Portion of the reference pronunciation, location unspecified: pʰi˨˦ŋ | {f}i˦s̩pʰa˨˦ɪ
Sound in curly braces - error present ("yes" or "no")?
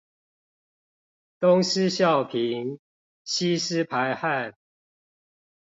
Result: yes